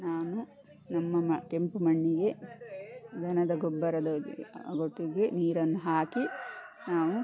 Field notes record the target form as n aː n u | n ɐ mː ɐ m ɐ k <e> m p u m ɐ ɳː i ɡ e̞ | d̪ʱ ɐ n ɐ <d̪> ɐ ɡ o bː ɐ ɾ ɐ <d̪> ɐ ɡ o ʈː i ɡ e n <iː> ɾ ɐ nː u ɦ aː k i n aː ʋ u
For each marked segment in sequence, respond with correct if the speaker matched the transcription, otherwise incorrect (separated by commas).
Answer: correct, correct, correct, correct